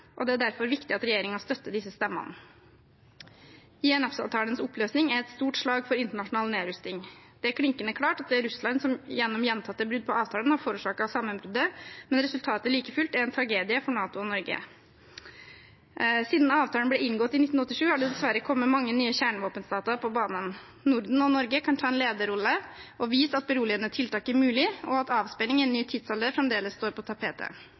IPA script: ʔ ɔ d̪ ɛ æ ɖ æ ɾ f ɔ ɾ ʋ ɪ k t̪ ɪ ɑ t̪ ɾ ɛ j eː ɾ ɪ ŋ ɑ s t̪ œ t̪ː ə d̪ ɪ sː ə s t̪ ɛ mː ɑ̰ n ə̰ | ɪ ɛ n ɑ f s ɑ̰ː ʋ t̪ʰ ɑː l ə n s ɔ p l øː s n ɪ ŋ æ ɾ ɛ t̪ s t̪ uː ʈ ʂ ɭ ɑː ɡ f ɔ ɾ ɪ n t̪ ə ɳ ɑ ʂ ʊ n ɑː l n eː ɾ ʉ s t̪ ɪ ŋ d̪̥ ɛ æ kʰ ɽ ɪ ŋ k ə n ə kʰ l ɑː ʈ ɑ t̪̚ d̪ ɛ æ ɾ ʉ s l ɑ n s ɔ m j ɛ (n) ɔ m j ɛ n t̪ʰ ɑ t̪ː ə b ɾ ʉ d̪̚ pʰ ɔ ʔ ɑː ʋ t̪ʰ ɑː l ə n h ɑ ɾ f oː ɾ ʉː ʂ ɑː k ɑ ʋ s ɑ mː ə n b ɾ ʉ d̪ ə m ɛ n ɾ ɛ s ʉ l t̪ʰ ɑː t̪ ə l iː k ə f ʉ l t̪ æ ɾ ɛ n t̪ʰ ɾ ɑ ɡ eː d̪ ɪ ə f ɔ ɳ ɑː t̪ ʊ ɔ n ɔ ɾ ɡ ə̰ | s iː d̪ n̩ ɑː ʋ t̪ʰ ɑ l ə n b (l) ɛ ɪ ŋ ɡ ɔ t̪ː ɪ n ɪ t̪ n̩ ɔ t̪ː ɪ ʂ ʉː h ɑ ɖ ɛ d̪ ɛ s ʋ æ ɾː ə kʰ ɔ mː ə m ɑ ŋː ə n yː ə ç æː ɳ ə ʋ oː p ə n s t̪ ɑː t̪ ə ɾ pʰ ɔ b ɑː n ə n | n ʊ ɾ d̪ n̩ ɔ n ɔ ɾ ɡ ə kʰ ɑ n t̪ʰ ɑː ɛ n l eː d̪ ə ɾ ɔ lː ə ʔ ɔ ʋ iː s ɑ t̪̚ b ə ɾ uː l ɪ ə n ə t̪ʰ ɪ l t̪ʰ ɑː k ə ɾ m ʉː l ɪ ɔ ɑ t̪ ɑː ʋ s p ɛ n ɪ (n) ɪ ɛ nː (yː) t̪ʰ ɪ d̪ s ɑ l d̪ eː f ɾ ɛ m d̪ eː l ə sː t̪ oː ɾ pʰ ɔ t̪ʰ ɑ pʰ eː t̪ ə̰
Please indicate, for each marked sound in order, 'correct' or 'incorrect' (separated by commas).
incorrect, correct, incorrect, correct